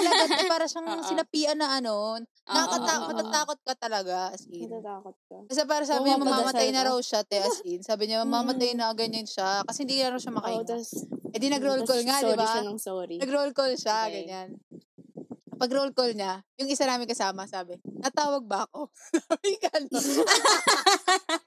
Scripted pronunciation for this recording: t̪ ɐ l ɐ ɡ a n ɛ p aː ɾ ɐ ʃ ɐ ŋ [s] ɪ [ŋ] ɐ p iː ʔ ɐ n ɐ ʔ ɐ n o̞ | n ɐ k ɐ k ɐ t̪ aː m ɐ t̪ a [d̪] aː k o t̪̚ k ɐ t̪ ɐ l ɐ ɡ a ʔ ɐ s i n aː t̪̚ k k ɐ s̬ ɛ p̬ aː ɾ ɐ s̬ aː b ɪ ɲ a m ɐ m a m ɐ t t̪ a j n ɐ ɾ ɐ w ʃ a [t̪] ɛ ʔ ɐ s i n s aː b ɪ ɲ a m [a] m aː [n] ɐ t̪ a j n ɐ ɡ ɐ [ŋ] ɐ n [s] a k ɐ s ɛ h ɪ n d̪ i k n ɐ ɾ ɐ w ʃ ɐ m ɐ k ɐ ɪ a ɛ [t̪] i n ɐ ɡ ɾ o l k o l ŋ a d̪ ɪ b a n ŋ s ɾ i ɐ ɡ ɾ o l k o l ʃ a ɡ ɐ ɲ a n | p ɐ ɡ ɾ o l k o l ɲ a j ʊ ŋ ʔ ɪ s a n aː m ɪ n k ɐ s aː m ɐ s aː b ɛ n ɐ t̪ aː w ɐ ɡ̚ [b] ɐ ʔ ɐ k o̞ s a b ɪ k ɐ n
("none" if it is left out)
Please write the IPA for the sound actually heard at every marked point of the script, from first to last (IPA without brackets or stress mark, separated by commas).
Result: s, n, t̪, t̪, ɐ, m, ɲ, ʃ, d̪, b